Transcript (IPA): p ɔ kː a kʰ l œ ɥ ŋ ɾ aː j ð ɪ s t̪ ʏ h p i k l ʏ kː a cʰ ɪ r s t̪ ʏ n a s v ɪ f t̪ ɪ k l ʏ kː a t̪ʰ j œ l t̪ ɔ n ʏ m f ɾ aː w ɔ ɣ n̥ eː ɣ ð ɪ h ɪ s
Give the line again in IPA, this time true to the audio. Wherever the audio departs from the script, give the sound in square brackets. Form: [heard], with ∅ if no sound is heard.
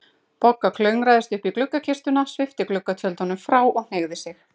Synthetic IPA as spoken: p ɔ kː a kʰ l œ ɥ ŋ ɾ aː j ð ɪ s t̪ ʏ h p i k l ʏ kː a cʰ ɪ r s t̪ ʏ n a s v ɪ f t̪ ɪ k l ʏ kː a t̪ʰ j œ l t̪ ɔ n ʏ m f ɾ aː w ɔ ɣ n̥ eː ɣ ð ɪ [s] ɪ [x]